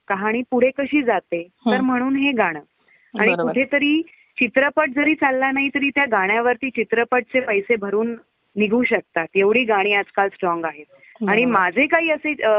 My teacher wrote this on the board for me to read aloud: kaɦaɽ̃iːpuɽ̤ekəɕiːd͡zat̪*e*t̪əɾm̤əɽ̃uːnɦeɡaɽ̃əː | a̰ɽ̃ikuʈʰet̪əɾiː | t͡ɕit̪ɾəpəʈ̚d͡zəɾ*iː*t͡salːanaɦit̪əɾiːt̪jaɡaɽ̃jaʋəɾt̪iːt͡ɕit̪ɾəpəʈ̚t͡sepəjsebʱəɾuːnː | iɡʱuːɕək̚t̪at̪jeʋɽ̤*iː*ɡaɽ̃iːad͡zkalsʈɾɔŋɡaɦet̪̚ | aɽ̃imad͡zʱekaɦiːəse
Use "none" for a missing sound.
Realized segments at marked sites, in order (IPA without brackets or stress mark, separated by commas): e, iː, iː